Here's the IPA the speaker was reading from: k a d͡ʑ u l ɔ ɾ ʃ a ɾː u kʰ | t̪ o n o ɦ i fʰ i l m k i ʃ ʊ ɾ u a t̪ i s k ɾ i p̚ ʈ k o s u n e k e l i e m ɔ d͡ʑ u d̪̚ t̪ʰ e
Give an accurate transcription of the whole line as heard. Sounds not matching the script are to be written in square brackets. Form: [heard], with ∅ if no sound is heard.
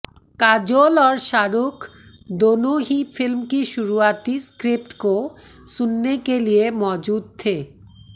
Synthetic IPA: k a d͡ʑ [o] l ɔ ɾ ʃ a [ɾ] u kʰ | [d̪] o n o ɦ i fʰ i l m k i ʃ [u] ɾ u a t̪ i s k ɾ i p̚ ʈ k o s u [nː] e k e l i e m ɔ d͡ʑ u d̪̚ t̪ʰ e